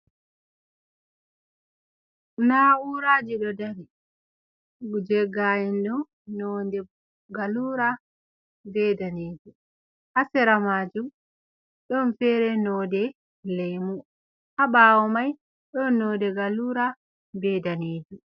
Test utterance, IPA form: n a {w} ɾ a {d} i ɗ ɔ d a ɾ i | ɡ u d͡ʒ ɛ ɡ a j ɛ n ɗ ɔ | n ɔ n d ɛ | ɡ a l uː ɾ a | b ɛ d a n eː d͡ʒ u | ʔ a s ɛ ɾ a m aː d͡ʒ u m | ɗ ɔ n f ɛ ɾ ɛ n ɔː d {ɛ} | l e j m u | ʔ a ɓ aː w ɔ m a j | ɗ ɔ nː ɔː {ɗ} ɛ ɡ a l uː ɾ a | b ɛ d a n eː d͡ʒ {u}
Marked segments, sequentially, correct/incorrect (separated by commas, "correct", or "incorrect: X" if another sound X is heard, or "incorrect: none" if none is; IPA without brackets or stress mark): incorrect: u, incorrect: d͡ʒ, correct, incorrect: d, correct